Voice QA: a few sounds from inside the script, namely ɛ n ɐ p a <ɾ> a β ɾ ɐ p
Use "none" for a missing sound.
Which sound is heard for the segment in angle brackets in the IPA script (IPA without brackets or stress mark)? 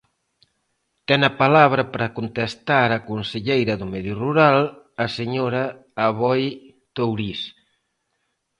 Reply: l